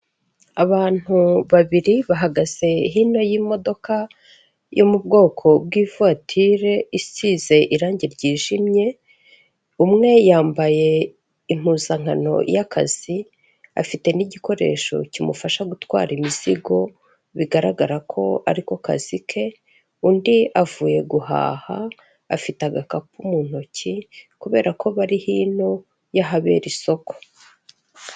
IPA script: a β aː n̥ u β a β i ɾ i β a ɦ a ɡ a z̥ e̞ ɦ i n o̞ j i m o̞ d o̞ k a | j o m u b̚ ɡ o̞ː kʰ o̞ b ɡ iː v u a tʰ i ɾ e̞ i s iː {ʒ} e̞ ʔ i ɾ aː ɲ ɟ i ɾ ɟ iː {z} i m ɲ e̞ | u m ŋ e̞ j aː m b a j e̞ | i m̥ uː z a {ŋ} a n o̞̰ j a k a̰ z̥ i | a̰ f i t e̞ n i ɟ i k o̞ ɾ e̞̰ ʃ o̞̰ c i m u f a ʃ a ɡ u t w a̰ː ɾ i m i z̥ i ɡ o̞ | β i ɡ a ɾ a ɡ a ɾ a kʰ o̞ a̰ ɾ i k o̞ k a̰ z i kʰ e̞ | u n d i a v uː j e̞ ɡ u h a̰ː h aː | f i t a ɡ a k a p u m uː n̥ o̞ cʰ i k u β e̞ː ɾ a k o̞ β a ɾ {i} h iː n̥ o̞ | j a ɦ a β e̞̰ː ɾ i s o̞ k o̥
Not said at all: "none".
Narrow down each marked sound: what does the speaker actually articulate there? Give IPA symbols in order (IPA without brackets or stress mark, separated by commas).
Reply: z, ʒ, ŋ, i